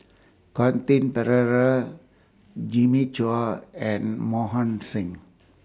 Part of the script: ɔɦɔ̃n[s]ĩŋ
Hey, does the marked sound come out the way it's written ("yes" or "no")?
yes